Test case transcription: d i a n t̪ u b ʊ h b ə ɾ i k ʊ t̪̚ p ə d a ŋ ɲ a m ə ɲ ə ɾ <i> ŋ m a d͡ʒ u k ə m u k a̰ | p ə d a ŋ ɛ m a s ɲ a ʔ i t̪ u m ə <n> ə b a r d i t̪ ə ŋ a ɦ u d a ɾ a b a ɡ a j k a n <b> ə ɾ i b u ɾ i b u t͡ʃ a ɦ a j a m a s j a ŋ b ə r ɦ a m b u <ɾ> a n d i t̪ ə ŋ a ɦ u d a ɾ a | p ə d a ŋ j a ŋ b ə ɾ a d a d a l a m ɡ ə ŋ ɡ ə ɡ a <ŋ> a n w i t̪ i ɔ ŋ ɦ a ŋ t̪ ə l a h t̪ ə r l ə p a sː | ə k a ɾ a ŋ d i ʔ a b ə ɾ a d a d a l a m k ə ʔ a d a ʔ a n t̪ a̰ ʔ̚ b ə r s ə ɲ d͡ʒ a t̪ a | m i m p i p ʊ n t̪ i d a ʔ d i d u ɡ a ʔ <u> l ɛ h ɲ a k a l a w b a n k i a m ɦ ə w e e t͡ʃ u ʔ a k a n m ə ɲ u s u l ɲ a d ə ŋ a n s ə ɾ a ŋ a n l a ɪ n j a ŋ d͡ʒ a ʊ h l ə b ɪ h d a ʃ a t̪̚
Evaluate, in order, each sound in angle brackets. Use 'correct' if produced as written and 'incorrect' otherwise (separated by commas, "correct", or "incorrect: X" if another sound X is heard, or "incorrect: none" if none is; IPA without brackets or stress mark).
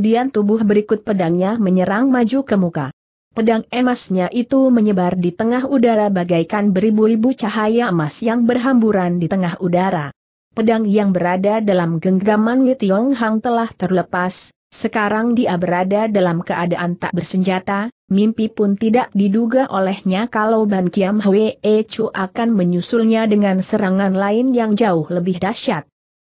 incorrect: a, incorrect: ɲ, correct, correct, incorrect: m, incorrect: o